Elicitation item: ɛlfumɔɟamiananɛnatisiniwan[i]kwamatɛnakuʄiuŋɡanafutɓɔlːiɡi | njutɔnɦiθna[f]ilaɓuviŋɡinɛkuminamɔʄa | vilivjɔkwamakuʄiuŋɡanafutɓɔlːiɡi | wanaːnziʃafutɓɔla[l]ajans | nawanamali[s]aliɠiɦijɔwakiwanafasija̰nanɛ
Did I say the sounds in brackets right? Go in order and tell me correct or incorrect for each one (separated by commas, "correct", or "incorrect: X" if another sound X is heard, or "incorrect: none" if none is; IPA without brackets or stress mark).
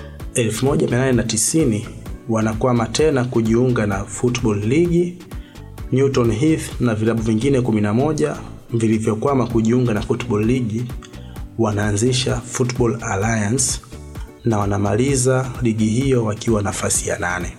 incorrect: a, incorrect: v, correct, incorrect: z